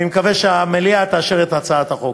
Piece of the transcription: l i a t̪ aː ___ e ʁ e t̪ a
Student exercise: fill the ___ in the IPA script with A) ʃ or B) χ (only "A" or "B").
A